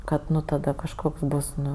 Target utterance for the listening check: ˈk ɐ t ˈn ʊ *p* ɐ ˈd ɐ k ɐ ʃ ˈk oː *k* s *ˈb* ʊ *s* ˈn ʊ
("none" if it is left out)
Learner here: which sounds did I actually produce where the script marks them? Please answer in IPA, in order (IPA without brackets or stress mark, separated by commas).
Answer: t, k, b, s